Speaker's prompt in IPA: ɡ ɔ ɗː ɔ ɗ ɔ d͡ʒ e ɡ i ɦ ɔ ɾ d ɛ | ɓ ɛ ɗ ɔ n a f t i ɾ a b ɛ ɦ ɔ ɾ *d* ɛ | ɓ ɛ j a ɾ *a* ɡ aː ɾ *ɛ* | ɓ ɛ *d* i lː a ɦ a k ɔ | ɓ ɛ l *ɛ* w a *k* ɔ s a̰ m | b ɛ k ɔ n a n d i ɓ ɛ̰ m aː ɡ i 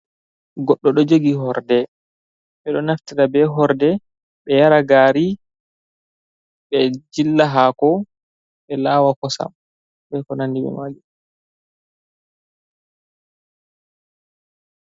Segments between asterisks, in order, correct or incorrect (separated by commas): correct, correct, incorrect, incorrect, incorrect, correct